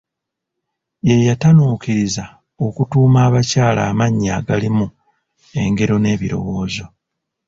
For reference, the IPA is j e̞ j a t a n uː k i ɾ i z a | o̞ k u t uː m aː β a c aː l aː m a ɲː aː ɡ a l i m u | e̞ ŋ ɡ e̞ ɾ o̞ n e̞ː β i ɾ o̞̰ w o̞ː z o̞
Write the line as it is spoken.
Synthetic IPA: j e̞ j a t a n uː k i ɾ i z a | o̞ k u t uː m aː β a c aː l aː m a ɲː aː ɡ a l i m u | e̞ ŋ ɡ e̞ ɾ o̞ n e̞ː β i ɾ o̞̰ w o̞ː z o̞